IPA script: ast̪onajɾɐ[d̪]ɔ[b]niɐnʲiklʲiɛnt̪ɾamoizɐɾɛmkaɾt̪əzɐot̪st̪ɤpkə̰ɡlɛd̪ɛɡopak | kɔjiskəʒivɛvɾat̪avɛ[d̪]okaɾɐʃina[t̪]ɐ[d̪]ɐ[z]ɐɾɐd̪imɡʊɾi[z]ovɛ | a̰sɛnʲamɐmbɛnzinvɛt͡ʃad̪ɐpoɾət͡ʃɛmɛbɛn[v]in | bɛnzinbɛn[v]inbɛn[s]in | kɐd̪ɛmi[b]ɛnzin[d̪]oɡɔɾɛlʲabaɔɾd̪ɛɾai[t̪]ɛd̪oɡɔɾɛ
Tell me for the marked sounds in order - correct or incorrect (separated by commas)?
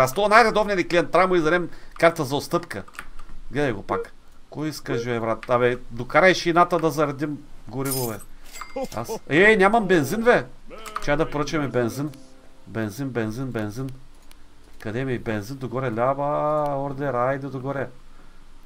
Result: correct, incorrect, correct, correct, correct, correct, incorrect, incorrect, incorrect, incorrect, correct, correct, incorrect